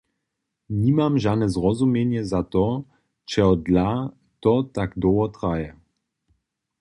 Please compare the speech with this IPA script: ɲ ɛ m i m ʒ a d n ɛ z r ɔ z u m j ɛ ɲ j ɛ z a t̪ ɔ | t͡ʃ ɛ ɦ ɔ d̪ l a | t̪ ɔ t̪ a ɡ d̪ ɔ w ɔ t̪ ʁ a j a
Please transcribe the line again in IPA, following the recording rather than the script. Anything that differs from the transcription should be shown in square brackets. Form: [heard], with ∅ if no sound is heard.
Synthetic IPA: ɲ [i] m [a] m ʒ a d n ɛ z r ɔ z u m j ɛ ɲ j ɛ z a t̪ ɔ | t͡ʃ ɛ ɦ ɔ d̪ l a | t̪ ɔ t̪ a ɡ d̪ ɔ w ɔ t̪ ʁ a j [ɛ]